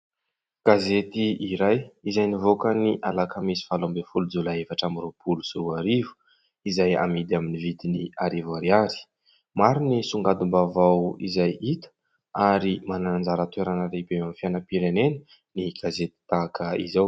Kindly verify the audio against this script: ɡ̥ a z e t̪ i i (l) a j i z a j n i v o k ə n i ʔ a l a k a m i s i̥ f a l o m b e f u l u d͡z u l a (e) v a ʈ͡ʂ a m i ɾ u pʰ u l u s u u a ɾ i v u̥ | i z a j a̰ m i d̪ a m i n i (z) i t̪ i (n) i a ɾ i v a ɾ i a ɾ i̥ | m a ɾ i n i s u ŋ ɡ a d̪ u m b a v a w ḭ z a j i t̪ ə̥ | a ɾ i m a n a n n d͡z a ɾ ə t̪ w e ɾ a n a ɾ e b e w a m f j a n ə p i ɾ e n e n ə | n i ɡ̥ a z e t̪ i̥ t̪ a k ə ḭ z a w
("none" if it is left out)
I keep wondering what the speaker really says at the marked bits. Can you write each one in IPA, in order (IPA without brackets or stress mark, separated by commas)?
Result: ɾ, e, v, n